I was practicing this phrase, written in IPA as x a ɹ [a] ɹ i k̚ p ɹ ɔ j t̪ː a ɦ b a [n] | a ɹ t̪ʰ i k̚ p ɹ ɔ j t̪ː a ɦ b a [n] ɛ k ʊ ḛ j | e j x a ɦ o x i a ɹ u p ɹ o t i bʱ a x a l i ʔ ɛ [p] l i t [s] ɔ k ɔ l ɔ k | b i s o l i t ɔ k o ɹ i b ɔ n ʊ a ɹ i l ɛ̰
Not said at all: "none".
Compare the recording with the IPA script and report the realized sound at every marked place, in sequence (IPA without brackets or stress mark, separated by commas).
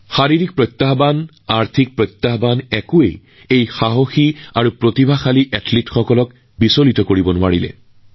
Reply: i, n, n, t, x